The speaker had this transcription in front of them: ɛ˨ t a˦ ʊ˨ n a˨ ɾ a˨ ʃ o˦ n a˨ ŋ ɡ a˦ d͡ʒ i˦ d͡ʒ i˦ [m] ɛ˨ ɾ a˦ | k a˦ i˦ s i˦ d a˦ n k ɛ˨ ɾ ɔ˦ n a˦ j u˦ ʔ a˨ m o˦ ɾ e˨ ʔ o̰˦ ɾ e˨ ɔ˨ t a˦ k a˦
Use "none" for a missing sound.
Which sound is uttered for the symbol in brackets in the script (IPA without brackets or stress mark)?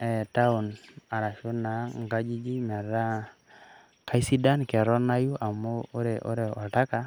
m